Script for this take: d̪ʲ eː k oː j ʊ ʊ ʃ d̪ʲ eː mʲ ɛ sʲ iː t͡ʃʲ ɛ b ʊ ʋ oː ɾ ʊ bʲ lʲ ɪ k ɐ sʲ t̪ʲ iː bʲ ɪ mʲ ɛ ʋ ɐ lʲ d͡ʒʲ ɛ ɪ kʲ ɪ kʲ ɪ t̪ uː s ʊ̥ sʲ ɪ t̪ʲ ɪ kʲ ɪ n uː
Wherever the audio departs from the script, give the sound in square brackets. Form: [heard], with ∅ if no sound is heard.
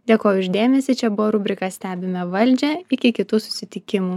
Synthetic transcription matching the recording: d̪ʲ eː k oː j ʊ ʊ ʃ d̪ʲ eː mʲ ɛ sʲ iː t͡ʃʲ ɛ b ʊ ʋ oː ɾ ʊ bʲ [ɾʲ] ɪ k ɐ sʲ t̪ʲ [æː] bʲ ɪ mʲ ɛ ʋ ɐ lʲ d͡ʒʲ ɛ ɪ kʲ ɪ kʲ ɪ t̪ uː s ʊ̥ sʲ ɪ t̪ʲ ɪ kʲ ɪ [m] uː